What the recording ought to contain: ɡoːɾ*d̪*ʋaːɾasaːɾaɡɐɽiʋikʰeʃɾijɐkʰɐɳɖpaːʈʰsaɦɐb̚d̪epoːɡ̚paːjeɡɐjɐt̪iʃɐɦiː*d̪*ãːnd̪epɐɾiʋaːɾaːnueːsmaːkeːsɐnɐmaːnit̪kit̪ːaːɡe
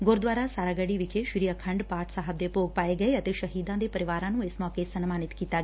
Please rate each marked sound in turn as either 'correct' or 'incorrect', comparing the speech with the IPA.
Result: correct, correct

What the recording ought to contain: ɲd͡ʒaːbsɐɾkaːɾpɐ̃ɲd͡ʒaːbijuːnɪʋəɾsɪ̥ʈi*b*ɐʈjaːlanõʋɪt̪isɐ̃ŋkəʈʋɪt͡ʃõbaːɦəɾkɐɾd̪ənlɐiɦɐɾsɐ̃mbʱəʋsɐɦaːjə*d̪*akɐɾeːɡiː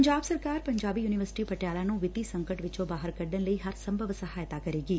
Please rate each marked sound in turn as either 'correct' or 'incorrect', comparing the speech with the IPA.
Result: incorrect, incorrect

